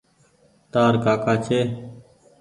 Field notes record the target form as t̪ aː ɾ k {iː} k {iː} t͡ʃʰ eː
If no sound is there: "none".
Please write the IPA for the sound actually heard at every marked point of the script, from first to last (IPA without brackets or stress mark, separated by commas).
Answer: aː, aː